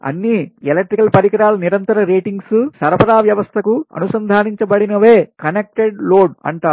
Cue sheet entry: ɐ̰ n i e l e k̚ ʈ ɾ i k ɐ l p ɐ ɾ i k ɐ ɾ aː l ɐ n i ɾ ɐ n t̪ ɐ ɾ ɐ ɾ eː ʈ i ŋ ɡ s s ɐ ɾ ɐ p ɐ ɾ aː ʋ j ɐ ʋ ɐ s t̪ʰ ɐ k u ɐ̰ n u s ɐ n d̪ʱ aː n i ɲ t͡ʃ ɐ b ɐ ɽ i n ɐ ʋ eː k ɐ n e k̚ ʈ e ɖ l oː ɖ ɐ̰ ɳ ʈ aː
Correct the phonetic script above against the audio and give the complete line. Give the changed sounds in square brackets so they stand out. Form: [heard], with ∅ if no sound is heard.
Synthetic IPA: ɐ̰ [nː] i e l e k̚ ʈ ɾ i k ɐ l p ɐ ɾ i k ɐ ɾ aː l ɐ n i ɾ ɐ n t̪ ɐ ɾ ɐ ɾ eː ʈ i ŋ ɡ s s ɐ ɾ ɐ p ɐ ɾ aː ʋ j ɐ ʋ ɐ s t̪ʰ ɐ k u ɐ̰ n u s ɐ n d̪ʱ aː n i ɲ t͡ʃ ɐ b ɐ ɽ i n ɐ ʋ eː k ɐ n e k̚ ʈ e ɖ l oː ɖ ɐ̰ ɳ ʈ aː